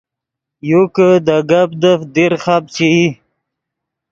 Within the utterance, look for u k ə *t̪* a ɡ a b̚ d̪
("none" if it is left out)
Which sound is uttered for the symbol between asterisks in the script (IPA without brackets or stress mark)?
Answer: d̪